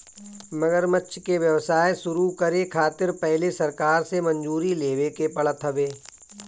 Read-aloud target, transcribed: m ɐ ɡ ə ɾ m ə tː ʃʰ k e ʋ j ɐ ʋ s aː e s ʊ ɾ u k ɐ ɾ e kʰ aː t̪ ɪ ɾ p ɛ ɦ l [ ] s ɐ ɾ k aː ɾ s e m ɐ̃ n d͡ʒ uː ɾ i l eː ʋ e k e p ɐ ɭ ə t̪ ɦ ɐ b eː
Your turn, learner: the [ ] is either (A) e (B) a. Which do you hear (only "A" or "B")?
A